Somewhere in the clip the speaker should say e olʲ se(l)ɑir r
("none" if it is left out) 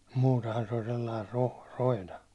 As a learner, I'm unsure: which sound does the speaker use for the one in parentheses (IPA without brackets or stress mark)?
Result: lː